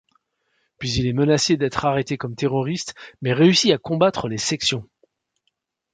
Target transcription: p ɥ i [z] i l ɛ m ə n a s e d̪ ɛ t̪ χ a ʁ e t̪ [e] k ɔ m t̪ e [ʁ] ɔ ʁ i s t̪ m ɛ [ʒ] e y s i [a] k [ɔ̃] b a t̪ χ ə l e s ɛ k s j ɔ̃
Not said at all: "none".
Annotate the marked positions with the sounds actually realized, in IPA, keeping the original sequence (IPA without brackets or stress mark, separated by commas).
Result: z, e, ʁ, ʁ, a, ɔ̃